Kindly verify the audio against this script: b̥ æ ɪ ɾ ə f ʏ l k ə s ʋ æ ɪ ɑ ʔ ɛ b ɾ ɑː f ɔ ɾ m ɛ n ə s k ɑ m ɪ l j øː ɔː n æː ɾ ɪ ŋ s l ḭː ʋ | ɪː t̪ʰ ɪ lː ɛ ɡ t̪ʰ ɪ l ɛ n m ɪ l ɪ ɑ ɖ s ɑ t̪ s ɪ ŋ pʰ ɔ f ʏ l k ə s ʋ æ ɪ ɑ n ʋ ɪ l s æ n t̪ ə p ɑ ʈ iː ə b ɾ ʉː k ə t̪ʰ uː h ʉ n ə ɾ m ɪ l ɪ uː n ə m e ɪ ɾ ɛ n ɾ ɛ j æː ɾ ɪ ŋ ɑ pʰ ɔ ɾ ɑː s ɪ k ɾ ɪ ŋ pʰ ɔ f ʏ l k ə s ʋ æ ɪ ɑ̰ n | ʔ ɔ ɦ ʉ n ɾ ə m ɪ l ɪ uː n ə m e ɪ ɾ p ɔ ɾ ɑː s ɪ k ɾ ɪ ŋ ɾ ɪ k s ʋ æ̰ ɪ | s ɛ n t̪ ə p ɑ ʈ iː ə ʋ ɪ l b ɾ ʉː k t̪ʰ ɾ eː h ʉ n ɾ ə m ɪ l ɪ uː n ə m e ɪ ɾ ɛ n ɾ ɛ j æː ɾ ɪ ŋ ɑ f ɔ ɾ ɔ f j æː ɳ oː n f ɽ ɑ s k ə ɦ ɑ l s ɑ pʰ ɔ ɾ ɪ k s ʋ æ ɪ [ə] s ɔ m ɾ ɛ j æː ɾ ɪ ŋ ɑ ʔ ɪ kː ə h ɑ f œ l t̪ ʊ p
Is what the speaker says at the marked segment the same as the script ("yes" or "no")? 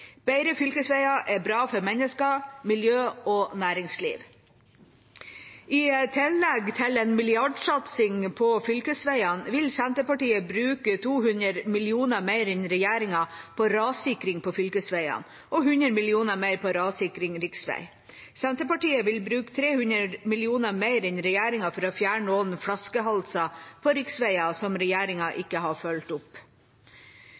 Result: no